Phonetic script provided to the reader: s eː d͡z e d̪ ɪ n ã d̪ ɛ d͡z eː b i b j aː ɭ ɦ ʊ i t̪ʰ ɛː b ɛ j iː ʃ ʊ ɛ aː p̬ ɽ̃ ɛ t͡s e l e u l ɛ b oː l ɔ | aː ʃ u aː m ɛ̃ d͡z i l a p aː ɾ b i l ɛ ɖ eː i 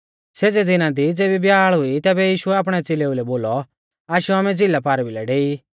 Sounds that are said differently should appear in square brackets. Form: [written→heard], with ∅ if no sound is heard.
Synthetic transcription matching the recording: s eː d͡z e d̪ ɪ n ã d̪ [ɛ→i] d͡z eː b i b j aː ɭ ɦ ʊ i [t̪ʰ→t̪] ɛː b ɛ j iː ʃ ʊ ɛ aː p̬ ɽ̃ ɛ t͡s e l e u l ɛ b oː l ɔ | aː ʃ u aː m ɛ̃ d͡z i l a p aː ɾ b i l ɛ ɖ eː i